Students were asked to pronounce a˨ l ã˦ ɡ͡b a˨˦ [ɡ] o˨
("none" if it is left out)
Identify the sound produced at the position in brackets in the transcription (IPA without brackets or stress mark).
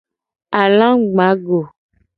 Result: ɡ